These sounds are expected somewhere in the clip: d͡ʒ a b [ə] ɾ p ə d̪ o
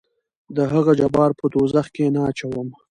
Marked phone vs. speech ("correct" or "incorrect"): incorrect